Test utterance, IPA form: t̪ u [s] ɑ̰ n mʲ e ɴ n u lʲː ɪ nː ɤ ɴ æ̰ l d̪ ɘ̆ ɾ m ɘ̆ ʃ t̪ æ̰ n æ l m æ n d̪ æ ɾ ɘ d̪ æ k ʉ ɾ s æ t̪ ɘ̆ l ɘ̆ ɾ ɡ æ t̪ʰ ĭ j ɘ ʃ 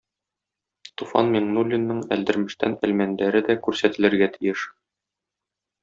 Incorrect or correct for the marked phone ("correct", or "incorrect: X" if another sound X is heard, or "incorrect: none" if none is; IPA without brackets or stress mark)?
incorrect: f